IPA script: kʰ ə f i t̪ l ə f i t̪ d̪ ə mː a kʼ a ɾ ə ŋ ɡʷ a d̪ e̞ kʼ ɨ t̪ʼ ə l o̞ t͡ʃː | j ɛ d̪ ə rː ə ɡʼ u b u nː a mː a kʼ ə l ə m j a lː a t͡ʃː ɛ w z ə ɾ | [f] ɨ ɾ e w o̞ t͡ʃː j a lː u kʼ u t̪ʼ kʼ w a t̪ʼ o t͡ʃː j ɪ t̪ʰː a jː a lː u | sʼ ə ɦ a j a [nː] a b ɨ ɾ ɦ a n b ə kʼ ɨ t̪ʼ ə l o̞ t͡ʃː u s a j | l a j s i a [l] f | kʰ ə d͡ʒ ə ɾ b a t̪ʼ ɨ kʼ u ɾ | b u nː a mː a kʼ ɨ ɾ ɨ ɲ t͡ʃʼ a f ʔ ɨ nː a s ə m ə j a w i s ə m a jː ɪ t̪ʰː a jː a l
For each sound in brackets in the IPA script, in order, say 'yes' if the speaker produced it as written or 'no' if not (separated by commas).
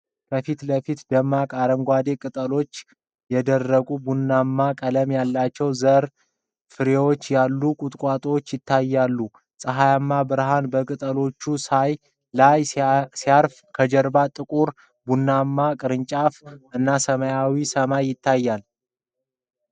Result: yes, no, no